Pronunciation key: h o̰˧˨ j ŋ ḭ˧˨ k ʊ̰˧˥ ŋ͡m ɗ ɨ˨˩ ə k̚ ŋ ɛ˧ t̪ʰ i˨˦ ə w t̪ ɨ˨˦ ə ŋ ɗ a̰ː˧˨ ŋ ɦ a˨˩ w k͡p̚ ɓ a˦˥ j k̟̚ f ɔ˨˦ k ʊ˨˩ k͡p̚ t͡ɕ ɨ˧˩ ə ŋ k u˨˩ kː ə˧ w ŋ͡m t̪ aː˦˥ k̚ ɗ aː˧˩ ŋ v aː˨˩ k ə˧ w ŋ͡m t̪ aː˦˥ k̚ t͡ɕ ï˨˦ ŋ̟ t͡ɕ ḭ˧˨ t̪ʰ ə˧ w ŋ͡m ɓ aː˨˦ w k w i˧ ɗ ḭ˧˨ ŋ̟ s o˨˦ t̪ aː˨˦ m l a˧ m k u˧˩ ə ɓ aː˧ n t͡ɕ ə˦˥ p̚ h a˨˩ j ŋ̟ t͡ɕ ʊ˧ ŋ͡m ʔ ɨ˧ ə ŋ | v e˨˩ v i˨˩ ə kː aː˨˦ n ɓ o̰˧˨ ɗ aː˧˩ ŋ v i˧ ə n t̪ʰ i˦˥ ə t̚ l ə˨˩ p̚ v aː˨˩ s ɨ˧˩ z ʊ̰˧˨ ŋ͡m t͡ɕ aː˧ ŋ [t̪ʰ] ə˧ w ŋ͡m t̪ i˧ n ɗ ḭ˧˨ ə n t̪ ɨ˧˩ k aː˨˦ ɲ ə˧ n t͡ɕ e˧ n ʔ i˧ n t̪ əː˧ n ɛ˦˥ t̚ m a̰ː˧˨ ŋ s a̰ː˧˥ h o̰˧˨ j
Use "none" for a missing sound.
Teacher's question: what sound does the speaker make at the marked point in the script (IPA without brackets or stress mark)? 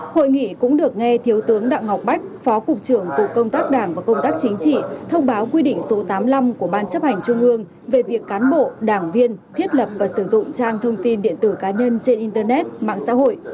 t̪ʰ